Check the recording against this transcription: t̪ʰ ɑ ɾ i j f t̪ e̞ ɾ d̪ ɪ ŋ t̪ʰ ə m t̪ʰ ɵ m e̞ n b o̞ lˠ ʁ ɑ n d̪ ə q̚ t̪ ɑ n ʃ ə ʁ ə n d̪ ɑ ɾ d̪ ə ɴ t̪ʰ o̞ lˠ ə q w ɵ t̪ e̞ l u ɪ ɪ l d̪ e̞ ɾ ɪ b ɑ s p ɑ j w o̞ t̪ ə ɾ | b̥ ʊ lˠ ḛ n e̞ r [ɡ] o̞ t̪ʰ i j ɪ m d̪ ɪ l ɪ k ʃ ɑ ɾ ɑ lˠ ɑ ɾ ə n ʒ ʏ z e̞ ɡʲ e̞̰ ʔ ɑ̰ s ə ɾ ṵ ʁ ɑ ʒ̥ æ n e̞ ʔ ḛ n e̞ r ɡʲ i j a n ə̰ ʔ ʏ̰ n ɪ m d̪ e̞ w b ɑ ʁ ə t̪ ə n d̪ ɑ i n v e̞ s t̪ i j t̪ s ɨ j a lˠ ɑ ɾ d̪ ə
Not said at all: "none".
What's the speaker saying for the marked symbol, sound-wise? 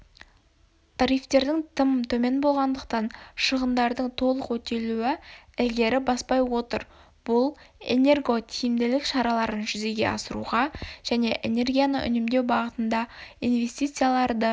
ɡ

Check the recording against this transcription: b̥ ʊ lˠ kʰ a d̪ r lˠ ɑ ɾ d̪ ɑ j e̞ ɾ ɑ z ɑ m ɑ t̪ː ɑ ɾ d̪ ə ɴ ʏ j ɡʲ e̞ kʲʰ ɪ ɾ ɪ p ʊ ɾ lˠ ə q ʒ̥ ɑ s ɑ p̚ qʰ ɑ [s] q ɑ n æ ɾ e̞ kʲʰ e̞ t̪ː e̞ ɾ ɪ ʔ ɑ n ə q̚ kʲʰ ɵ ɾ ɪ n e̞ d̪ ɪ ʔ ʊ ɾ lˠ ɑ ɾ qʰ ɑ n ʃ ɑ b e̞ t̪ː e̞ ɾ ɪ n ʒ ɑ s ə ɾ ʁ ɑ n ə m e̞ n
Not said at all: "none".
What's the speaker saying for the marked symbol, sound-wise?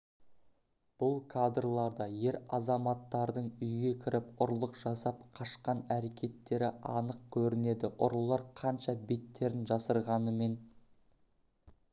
ʃ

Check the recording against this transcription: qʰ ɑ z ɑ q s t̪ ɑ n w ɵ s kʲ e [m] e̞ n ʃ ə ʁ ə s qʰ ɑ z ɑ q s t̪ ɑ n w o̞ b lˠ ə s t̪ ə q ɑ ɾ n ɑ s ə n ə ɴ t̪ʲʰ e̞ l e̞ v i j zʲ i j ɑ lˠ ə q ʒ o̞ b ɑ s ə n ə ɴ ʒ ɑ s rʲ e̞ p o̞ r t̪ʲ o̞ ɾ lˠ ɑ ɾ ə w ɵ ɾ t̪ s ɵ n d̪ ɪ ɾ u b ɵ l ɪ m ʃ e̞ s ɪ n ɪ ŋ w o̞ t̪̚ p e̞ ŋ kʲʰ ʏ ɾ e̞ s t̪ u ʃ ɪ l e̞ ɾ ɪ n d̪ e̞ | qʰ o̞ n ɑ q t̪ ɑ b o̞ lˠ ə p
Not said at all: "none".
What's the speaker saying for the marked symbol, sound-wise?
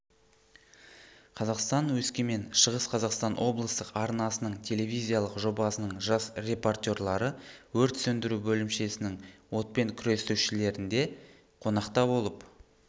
m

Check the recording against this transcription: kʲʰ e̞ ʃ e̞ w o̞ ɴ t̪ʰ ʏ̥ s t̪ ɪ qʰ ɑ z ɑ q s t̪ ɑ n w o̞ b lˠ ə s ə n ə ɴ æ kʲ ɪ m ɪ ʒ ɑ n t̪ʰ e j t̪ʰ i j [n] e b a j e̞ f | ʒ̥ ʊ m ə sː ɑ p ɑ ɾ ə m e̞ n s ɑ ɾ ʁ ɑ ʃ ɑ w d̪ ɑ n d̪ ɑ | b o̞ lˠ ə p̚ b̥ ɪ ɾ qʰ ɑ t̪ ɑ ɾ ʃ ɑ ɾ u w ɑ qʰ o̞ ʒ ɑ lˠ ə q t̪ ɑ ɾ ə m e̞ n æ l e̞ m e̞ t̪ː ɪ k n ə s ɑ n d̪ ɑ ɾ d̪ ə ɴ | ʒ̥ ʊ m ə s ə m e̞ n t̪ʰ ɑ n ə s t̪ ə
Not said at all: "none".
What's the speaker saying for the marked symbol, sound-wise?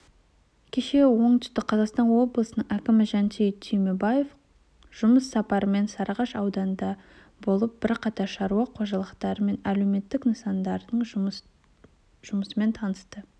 m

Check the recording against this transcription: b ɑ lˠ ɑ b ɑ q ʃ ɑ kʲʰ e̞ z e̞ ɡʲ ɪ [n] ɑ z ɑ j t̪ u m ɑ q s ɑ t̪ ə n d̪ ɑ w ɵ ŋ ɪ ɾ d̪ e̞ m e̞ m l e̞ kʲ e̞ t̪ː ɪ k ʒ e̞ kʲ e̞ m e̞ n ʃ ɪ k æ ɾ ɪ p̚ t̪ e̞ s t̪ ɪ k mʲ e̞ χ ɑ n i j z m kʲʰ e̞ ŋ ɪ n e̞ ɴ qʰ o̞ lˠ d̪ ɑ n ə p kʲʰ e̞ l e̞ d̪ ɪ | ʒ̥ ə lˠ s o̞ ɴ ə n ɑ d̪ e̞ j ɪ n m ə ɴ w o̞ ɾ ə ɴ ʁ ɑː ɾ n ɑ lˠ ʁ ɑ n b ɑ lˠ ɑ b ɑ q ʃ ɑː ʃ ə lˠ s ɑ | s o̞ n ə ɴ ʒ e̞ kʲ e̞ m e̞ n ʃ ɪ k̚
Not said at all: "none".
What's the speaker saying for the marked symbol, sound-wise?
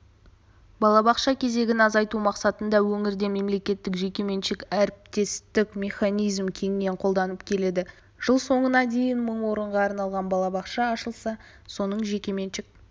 n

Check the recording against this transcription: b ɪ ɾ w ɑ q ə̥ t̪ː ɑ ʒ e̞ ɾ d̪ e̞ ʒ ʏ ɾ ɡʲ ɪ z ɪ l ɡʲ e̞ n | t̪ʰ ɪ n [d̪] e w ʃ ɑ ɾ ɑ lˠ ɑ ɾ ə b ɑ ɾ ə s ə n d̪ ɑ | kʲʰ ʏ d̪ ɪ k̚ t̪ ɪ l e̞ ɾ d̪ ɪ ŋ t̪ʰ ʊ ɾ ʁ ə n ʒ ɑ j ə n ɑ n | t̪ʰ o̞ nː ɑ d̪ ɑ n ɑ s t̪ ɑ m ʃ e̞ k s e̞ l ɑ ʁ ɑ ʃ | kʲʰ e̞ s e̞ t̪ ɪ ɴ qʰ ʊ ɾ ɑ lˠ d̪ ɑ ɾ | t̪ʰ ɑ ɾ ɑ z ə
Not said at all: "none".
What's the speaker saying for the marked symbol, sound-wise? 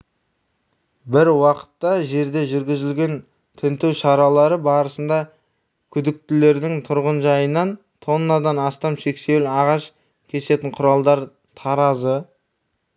t̪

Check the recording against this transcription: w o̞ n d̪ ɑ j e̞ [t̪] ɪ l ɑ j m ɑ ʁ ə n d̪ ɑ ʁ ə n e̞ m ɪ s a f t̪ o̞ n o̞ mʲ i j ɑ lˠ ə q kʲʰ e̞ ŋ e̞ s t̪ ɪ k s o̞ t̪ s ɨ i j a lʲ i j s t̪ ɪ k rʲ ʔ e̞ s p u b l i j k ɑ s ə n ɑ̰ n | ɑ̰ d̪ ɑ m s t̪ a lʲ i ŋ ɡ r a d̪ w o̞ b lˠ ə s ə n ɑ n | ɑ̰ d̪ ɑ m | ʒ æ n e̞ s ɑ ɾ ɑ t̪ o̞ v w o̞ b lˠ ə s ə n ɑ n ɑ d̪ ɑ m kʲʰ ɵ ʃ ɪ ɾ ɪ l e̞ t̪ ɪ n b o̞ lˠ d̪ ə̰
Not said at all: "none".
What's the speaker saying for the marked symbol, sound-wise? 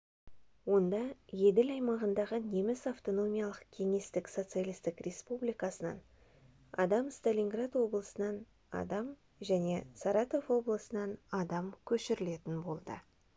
d̪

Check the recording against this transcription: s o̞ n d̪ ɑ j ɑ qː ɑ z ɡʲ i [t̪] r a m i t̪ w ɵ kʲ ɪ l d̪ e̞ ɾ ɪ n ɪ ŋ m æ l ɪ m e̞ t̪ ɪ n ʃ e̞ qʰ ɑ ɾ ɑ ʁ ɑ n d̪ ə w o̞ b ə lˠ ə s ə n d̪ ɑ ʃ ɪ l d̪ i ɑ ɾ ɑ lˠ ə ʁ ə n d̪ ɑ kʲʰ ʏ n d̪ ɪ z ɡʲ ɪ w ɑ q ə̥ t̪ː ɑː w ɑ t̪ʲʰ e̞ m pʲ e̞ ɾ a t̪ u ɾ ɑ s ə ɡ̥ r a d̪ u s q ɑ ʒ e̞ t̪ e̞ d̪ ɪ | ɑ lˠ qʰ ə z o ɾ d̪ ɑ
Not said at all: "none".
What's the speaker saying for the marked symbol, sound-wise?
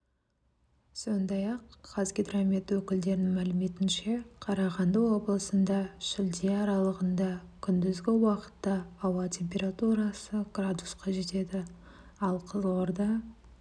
d̪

